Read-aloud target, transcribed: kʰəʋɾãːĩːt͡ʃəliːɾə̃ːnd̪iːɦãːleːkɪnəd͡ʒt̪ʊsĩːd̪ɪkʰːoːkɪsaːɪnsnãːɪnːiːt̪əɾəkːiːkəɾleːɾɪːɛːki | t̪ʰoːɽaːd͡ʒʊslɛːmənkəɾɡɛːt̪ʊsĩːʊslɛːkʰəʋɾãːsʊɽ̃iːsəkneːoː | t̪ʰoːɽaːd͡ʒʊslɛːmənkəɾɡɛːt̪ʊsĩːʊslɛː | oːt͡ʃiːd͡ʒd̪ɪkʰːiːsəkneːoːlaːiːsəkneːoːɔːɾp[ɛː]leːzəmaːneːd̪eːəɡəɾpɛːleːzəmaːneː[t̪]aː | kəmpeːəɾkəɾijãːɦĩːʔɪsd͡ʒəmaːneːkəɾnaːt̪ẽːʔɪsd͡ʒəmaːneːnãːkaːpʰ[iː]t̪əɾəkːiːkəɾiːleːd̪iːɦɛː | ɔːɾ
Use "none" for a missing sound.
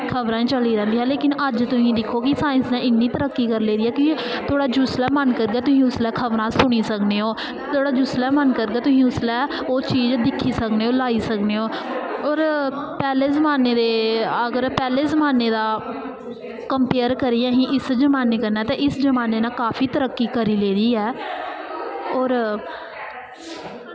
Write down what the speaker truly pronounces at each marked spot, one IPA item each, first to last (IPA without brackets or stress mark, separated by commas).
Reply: ɛː, d̪, iː